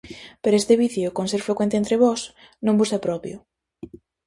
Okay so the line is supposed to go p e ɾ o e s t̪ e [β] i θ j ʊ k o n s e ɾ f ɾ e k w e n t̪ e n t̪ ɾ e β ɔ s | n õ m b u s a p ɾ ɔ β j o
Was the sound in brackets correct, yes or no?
yes